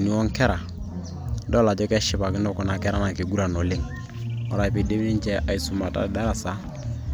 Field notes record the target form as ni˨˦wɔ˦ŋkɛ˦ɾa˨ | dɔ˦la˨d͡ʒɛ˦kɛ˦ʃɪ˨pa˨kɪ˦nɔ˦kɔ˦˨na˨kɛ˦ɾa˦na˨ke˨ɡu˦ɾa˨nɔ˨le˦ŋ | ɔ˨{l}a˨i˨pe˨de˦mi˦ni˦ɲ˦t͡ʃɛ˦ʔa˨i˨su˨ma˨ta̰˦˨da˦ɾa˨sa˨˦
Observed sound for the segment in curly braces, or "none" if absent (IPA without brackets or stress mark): ɾ